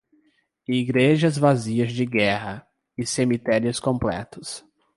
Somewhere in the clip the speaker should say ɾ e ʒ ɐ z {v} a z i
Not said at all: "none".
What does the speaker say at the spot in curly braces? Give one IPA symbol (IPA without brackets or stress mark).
v